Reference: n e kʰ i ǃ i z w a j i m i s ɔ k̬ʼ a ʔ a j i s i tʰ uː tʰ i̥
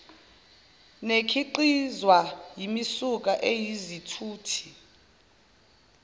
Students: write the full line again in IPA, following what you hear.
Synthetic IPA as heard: n e kʰ i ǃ i z w a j i m i s u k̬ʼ a ʔ e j i z i tʰ uː tʰ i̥